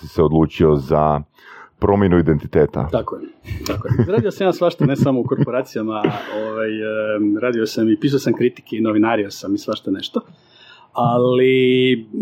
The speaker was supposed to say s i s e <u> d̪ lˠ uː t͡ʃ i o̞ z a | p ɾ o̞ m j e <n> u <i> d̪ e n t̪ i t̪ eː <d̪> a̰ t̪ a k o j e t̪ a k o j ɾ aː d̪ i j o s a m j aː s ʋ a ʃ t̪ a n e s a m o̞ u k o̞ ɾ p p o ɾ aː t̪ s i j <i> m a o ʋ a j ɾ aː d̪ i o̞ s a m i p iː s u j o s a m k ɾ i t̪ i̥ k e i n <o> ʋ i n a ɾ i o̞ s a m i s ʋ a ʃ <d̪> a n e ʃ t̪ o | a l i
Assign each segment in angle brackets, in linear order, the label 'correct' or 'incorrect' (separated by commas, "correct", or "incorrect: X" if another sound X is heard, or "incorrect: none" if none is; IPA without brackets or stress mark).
incorrect: o, correct, correct, incorrect: t̪, incorrect: a, correct, incorrect: t̪